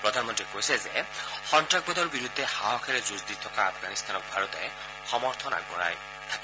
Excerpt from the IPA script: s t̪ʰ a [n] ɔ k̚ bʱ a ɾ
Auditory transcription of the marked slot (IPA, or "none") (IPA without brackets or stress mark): n